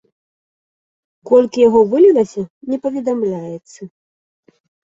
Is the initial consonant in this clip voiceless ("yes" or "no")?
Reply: yes